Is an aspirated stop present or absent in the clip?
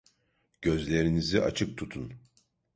present